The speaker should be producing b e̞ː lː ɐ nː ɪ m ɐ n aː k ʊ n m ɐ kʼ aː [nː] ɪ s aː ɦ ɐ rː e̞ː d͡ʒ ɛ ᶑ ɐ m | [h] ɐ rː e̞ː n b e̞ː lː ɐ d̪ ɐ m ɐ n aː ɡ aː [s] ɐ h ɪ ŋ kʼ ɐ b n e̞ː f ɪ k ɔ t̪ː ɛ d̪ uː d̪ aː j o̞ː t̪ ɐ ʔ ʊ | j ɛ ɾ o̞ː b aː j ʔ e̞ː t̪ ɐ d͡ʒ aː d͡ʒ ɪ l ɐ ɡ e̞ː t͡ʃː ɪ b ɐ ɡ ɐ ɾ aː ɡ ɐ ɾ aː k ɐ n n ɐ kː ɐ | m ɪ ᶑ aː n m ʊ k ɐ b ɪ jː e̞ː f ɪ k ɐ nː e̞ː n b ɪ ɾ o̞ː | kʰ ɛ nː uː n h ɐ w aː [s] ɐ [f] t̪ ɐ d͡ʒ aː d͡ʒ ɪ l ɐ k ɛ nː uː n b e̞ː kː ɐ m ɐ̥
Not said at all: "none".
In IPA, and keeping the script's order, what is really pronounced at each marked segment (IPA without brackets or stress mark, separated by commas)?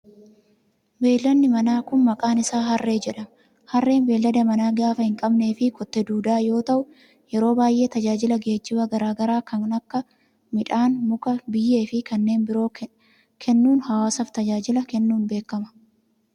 n, h, f, s, f